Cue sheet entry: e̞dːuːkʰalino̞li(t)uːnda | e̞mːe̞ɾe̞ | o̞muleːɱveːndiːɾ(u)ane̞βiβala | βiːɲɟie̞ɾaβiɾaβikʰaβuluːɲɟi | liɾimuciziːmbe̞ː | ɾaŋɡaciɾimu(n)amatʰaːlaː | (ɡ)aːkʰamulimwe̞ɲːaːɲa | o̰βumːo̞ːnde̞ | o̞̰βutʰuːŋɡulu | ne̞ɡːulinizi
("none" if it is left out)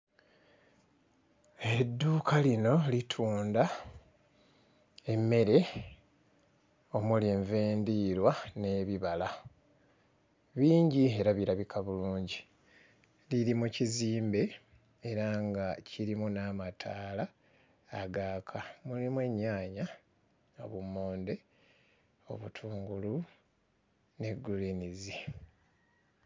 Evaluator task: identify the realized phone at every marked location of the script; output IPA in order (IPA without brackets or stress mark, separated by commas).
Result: tʰ, w, n, ɡ